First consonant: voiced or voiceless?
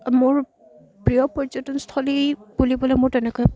voiced